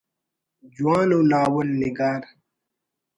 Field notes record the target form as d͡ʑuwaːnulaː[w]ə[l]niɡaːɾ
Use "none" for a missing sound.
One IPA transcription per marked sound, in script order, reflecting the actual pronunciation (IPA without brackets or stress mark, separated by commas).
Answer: w, l